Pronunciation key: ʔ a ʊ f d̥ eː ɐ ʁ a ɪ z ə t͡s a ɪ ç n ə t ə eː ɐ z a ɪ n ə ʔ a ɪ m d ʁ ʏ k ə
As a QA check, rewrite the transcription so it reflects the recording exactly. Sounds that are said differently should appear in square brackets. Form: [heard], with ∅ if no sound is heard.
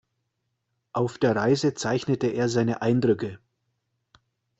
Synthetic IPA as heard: ʔ a ʊ f d̥ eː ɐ ʁ a ɪ z ə t͡s a ɪ ç n ə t ə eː ɐ z a ɪ n ə ʔ a ɪ [n] d ʁ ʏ k ə